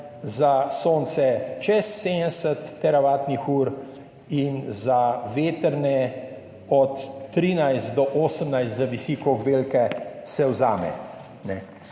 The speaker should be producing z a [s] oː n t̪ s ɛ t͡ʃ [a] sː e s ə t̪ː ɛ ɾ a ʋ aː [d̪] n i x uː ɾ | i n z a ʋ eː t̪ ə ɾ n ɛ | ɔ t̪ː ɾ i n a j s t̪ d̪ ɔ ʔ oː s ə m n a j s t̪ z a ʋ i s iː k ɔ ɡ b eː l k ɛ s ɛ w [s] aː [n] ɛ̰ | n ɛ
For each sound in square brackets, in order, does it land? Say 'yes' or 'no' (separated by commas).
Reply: yes, no, no, no, no